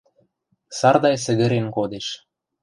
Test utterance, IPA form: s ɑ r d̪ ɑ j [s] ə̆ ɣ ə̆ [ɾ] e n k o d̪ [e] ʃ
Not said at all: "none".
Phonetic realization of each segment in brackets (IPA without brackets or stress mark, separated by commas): s, ɾ, e